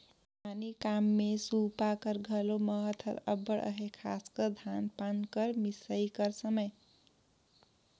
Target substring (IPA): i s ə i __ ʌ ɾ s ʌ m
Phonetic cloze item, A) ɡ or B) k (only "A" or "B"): B